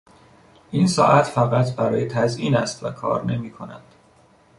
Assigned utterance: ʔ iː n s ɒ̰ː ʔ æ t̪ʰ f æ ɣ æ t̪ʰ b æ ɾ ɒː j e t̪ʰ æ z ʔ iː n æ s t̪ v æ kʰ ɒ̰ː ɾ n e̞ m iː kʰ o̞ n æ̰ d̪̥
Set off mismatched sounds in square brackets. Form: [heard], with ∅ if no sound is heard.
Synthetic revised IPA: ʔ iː n s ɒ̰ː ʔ æ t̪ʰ f æ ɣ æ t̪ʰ b æ ɾ ɒː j e t̪ʰ æ z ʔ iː n æ s t̪ v æ kʰ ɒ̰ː ɾ n e̞ m iː kʰ o̞ n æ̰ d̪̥